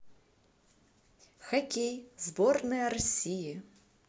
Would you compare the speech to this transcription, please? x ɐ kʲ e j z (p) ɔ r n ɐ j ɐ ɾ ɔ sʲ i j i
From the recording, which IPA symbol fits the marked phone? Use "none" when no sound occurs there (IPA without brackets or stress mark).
b